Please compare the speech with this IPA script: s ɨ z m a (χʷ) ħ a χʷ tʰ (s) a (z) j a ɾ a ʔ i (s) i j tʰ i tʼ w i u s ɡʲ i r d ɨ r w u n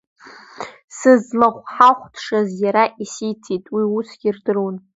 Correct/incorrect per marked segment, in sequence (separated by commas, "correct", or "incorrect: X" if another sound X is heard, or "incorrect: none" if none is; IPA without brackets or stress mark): correct, incorrect: ʂ, correct, correct